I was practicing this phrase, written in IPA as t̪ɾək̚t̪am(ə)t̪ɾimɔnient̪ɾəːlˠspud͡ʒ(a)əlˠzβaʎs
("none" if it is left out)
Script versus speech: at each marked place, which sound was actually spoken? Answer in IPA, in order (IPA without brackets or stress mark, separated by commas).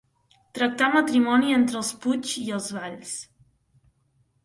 ə, i